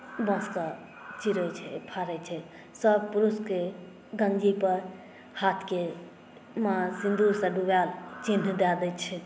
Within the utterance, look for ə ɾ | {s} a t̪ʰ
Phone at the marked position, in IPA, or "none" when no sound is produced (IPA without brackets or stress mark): h